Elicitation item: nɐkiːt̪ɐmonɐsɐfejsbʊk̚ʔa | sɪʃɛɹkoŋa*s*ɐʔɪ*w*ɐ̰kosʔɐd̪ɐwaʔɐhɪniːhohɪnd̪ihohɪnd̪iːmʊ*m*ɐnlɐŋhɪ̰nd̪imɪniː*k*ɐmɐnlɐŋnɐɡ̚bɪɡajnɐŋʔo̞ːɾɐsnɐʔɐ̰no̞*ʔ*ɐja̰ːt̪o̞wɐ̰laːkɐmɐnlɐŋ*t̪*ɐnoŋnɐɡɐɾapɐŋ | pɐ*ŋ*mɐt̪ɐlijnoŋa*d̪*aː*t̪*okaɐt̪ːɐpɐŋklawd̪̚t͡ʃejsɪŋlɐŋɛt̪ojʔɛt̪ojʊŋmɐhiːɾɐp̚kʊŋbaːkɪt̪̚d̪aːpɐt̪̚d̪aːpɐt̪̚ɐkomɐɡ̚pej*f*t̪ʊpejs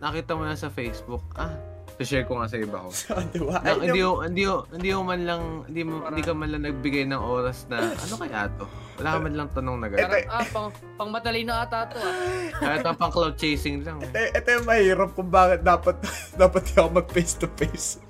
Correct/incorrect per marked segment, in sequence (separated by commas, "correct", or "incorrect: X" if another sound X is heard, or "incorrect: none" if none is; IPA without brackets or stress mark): correct, incorrect: b, correct, correct, incorrect: k, correct, correct, incorrect: t̪, correct, incorrect: s